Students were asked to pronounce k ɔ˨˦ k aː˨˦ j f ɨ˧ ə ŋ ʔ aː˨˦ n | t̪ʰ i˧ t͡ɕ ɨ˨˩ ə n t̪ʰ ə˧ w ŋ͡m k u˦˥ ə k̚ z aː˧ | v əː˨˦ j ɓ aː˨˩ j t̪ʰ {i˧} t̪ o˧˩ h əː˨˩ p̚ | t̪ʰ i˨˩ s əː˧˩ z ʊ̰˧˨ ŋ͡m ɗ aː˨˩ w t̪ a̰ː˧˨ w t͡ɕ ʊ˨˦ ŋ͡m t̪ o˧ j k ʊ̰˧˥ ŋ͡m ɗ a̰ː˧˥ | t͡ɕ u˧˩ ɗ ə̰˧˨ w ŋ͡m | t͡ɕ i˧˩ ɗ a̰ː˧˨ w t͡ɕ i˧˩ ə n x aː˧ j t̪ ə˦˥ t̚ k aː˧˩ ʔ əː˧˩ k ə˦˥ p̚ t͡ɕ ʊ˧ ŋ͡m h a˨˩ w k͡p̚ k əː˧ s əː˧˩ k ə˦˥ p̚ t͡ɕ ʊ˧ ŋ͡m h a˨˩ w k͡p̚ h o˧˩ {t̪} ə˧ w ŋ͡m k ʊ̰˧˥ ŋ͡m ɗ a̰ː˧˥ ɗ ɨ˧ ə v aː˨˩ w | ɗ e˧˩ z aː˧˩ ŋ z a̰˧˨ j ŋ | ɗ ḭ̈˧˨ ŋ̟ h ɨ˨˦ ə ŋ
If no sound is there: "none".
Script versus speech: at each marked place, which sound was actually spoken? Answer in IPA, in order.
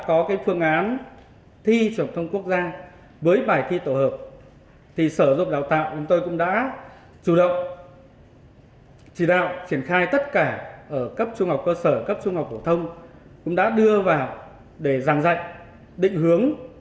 i˧, t̪ʰ

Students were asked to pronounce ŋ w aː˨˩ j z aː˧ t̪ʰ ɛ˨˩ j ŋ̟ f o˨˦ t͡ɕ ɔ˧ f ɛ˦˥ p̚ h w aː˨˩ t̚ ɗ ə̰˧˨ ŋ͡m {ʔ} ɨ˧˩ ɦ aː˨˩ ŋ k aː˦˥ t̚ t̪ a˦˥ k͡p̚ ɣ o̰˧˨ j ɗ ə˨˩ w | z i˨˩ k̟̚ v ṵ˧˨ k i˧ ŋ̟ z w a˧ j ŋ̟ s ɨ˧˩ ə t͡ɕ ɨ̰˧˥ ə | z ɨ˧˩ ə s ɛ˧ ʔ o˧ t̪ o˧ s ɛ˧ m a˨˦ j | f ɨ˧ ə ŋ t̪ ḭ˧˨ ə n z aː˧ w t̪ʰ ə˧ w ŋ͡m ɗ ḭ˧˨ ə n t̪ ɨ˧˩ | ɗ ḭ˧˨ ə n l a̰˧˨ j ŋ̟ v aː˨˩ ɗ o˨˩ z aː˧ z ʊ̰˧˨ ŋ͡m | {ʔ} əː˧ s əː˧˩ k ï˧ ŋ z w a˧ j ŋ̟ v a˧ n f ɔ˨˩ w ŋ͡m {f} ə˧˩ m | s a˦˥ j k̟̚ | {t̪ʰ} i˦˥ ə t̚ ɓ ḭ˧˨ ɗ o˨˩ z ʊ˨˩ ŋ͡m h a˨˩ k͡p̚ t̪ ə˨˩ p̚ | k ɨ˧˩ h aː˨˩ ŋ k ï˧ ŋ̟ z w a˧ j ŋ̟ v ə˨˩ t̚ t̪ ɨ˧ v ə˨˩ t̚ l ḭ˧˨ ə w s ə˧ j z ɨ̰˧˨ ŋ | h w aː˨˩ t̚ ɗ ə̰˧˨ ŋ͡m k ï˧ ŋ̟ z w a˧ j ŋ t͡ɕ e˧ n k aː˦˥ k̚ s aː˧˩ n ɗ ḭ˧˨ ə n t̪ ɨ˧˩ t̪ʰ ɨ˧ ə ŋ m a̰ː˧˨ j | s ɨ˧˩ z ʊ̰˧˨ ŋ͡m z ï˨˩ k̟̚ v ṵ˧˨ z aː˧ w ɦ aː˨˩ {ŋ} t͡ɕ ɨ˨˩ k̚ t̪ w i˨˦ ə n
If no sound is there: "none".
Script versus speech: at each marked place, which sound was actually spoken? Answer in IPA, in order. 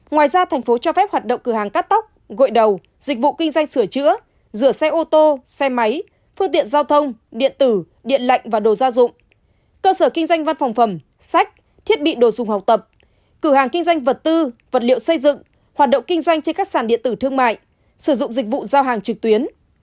k, k, f, t̪ʰ, ŋ

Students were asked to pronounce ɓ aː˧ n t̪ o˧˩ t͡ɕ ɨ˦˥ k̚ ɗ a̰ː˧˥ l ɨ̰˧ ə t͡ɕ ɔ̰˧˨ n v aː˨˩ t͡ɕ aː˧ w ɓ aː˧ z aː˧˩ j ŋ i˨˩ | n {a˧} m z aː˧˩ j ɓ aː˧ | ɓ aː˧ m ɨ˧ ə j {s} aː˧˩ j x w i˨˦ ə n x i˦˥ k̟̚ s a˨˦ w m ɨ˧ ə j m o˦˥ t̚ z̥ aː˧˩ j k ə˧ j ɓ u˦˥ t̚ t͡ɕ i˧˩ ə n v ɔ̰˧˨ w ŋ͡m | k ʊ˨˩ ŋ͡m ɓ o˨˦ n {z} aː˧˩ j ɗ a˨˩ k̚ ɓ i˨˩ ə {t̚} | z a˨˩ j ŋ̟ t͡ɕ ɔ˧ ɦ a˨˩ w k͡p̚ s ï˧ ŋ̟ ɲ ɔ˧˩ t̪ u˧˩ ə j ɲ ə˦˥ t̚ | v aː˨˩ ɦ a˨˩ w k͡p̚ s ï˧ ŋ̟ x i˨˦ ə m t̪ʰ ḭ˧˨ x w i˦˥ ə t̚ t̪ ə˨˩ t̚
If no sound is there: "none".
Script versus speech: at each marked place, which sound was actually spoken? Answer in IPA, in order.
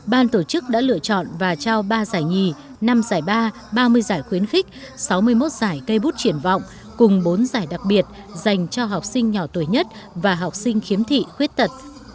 a˧, z, z, t̚

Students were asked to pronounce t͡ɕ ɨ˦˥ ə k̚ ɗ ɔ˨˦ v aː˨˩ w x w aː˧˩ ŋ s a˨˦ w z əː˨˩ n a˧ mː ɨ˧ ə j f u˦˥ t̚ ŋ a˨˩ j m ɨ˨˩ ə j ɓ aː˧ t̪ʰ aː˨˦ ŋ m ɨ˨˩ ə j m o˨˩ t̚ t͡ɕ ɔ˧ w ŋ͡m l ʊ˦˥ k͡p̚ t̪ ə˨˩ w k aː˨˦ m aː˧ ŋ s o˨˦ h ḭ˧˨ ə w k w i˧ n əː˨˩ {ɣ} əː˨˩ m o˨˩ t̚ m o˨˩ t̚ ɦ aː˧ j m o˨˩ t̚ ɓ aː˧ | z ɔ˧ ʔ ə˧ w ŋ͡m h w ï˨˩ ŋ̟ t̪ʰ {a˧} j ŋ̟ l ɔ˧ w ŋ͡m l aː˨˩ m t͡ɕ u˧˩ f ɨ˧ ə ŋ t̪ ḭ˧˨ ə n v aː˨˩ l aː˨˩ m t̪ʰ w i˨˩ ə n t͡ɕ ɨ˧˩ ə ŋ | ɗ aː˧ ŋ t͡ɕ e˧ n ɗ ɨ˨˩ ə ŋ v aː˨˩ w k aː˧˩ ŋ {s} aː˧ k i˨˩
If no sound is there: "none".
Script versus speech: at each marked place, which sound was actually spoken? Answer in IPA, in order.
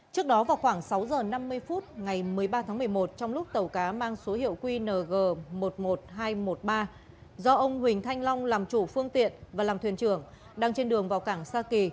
ɣ, a˧, s

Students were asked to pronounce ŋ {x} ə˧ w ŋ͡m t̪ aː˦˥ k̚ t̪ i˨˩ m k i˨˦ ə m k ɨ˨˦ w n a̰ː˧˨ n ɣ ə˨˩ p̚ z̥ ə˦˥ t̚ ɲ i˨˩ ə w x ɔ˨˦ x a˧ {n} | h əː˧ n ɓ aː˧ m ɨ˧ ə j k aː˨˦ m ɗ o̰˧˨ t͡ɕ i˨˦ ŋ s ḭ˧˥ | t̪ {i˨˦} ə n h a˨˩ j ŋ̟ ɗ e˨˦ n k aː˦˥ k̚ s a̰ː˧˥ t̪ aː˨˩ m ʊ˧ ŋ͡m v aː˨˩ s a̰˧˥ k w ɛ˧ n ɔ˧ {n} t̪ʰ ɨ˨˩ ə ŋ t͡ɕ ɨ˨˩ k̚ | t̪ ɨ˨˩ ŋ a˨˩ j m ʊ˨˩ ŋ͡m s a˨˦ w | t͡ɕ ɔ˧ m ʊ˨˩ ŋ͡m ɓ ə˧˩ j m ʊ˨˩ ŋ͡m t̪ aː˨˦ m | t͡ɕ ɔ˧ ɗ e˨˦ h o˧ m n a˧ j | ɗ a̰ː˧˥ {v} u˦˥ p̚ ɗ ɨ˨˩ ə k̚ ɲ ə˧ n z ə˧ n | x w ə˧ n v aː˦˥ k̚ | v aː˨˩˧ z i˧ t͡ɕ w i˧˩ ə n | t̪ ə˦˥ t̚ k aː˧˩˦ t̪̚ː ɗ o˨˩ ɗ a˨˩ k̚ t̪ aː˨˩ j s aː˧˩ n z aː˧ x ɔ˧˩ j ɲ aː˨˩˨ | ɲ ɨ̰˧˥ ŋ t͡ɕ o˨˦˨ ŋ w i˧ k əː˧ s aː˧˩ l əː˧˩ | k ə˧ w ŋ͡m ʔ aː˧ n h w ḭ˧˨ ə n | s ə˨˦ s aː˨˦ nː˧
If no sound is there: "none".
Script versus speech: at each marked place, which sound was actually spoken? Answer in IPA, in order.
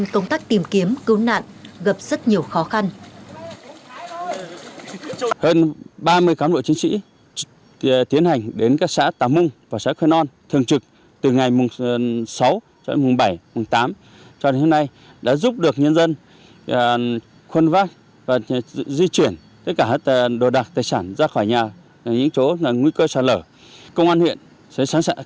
k, n, i˨˦, n, z

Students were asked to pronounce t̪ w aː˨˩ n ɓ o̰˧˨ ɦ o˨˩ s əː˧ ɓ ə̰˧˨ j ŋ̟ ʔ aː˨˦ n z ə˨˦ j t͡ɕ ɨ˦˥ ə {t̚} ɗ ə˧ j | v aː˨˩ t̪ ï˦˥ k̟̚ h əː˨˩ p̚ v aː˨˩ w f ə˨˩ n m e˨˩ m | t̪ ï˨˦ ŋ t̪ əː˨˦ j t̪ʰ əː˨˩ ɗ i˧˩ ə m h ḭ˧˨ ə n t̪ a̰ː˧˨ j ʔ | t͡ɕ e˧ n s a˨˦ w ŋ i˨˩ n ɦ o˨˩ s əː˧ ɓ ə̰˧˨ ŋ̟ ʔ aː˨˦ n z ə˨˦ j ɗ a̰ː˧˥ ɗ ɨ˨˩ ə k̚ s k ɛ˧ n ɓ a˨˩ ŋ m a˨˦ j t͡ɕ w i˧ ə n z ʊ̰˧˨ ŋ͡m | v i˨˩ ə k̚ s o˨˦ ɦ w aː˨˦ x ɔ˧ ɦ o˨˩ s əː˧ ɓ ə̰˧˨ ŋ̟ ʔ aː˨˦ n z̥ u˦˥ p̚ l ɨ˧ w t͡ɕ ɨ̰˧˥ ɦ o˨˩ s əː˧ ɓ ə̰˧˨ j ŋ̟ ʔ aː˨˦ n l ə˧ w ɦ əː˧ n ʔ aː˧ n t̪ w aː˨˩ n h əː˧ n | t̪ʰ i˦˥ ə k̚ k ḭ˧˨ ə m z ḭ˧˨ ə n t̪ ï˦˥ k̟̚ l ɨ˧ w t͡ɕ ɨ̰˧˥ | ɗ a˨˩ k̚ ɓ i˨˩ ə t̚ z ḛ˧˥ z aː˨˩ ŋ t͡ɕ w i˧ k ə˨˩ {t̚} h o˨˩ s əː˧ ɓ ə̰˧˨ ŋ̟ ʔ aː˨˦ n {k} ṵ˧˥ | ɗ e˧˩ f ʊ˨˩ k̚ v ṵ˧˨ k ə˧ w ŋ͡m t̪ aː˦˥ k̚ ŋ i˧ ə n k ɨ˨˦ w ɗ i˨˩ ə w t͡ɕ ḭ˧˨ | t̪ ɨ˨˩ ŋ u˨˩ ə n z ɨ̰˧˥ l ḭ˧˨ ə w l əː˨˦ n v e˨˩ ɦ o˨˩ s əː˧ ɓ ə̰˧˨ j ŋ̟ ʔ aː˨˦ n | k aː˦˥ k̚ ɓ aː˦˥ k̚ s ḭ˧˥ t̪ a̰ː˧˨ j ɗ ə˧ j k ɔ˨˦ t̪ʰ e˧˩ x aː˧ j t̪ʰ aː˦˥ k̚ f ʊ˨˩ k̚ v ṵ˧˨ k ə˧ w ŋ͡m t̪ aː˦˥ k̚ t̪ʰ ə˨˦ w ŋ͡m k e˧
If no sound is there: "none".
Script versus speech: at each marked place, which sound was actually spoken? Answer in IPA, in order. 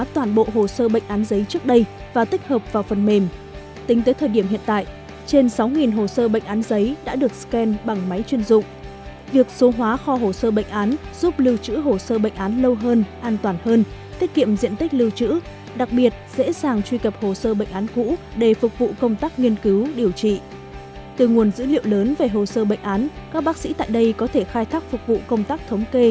k̚, p̚, k

